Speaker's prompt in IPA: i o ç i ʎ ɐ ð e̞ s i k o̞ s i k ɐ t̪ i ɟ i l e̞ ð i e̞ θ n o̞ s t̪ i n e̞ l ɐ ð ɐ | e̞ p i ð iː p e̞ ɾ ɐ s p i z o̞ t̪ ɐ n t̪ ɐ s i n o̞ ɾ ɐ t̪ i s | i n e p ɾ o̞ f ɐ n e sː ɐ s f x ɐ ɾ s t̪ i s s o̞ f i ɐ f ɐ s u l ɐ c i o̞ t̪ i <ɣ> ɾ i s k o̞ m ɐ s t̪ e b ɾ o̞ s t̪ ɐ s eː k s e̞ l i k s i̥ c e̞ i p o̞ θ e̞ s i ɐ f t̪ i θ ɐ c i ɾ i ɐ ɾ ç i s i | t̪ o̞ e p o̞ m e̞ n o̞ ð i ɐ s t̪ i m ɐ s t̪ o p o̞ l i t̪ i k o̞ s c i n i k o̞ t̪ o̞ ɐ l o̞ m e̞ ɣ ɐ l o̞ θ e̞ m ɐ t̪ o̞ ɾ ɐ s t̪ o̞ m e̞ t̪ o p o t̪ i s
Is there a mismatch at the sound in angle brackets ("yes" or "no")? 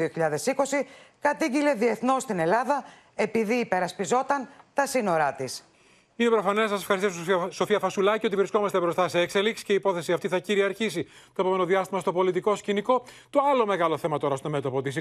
yes